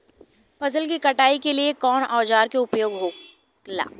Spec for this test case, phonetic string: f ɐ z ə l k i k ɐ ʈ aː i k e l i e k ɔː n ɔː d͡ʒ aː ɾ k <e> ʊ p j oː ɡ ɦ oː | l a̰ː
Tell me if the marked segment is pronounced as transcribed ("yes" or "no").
yes